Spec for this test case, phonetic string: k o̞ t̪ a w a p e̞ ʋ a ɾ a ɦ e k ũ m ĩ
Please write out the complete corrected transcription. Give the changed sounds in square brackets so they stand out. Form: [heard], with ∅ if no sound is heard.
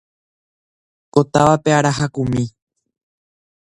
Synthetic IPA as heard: k o̞ t̪ a [ʋ] a p e̞ [∅] a ɾ a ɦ [a] k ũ m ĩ